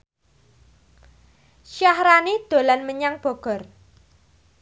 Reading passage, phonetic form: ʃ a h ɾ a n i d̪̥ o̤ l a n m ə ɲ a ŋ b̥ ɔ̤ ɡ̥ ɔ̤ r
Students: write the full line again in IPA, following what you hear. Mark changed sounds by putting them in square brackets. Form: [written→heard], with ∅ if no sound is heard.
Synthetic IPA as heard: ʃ a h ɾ a n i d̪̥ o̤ l a n m ə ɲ a ŋ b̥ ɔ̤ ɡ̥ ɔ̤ r